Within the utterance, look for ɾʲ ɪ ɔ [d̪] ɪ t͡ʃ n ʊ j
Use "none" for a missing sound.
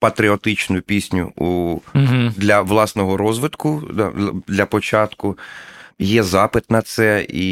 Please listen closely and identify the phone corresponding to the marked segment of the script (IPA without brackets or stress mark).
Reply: t̪